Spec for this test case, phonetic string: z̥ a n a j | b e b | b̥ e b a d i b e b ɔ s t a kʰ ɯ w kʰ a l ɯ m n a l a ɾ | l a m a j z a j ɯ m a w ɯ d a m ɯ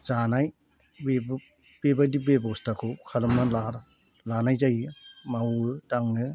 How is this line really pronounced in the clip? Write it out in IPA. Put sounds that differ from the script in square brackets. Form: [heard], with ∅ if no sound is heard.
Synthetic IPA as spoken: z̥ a n a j | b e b | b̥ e b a d i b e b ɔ s t a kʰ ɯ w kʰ a l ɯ m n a l a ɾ | l a [n] a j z a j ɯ m a w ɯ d a [ŋ] ɯ